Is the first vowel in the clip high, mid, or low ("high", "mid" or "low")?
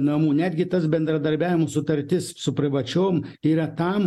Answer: low